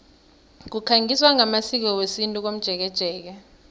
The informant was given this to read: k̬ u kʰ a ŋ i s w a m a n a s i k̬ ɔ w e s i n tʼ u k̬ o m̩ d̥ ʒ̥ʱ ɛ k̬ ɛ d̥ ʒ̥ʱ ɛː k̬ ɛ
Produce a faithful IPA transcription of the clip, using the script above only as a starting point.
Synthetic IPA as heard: k̬ u kʰ a ŋ i s w a ŋ a m a s i k̬ ɔ w e s i n tʼ u k̬ o m̩ d̥ ʒ̥ʱ ɛ k̬ ɛ d̥ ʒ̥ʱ ɛː k̬ ɛ